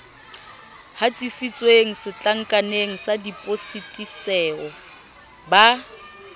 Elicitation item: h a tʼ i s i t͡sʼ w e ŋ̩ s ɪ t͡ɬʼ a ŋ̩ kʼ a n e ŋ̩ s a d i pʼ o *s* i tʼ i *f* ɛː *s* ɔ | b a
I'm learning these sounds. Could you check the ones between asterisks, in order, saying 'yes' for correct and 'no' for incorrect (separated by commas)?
yes, no, no